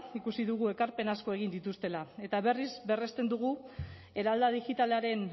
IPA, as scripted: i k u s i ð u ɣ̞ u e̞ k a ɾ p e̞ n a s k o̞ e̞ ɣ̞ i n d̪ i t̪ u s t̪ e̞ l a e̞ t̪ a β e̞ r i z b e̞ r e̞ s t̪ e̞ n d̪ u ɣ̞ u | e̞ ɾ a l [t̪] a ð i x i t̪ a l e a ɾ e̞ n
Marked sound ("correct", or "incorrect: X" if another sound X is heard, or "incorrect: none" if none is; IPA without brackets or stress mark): incorrect: d̪